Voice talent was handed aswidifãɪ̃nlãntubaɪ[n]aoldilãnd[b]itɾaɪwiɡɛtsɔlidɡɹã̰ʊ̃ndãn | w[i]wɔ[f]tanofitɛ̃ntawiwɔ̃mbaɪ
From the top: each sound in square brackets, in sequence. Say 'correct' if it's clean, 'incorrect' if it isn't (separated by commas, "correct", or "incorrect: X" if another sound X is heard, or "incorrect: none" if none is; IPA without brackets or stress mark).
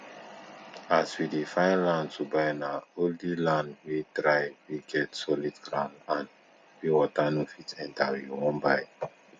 correct, incorrect: w, correct, incorrect: none